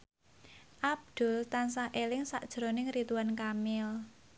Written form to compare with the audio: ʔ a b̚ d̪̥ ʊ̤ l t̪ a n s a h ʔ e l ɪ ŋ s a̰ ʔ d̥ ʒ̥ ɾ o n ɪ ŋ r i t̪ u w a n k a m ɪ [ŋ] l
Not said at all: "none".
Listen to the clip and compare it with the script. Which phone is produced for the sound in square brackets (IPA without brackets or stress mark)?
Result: none